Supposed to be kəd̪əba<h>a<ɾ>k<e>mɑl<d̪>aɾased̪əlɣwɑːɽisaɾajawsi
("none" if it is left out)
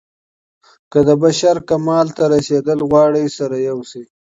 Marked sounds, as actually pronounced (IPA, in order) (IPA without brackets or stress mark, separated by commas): ʃ, ɾ, a, t̪